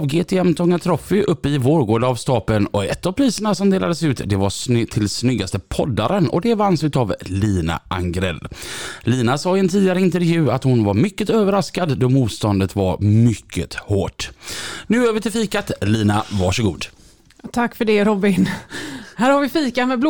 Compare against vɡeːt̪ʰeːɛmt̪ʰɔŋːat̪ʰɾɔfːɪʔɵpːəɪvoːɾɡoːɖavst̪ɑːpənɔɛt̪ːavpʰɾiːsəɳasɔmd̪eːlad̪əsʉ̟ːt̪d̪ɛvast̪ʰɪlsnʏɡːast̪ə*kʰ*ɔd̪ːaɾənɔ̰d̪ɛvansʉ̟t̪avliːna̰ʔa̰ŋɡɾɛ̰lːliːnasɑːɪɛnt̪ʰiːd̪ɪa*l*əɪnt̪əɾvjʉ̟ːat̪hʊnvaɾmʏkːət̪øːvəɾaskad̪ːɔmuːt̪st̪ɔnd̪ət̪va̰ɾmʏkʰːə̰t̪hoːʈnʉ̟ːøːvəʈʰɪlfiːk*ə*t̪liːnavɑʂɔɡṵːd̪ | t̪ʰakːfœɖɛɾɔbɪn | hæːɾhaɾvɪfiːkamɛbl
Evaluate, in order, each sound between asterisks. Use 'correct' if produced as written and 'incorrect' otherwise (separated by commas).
incorrect, incorrect, incorrect